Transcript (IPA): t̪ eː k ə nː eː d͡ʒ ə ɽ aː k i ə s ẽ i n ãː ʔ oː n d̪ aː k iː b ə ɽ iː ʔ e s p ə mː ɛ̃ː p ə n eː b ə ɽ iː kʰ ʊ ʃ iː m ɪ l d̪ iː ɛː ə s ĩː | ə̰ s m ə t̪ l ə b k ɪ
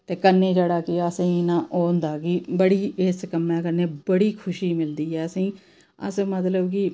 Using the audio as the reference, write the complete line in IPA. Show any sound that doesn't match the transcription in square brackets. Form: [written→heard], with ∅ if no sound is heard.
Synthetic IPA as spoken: t̪ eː k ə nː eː d͡ʒ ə ɽ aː k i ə s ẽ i n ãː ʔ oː n d̪ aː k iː b ə ɽ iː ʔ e s [p→k] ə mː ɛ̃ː [p→k] ə n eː b ə ɽ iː kʰ ʊ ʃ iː m ɪ l d̪ iː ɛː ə s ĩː | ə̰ s m ə t̪ l ə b k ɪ